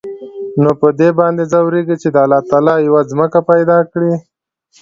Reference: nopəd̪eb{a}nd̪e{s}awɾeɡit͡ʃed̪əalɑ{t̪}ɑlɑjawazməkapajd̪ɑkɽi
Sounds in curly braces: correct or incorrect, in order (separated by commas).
incorrect, incorrect, correct